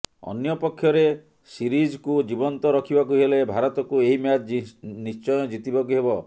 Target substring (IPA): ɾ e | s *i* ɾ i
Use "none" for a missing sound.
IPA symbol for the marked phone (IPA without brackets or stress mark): i